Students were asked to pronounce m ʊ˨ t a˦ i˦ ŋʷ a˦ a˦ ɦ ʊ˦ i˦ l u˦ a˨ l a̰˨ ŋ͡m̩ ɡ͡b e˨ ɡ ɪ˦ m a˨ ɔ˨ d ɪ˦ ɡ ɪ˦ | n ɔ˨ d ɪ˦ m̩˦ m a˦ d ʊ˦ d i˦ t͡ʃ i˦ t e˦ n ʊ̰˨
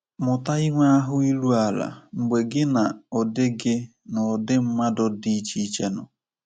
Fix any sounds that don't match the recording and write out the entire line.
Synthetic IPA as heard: m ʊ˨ t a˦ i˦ ŋʷ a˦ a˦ ɦ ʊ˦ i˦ l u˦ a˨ l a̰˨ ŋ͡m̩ ɡ͡b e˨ ɡ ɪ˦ n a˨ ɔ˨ d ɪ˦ ɡ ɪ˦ | n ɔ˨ d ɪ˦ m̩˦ m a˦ d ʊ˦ d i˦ t͡ʃ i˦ t͡ʃ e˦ n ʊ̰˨